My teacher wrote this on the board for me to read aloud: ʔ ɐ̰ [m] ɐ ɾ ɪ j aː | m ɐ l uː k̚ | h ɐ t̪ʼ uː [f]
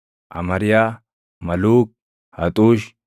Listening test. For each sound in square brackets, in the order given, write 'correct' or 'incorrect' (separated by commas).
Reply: correct, incorrect